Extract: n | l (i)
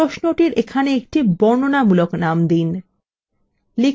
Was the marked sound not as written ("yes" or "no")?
no